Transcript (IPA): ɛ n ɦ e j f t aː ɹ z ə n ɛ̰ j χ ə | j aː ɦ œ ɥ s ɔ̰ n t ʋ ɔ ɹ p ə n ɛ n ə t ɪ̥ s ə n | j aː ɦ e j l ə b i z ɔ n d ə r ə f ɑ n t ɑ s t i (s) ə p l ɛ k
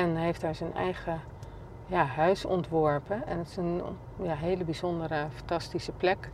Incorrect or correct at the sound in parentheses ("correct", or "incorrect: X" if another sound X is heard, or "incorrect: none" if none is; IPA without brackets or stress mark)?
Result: correct